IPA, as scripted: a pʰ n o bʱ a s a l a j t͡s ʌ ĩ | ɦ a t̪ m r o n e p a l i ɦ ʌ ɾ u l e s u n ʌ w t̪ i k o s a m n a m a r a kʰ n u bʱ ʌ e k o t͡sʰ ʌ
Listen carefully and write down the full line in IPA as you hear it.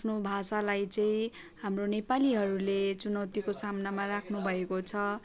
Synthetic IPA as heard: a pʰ n o bʱ a s a l a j t͡s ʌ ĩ | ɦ a m r o n e p a l i ɦ ʌ ɾ u l e t͡s u n ʌ w t̪ i k o s a m n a m a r a kʰ n u bʱ ʌ e k o t͡sʰ ʌ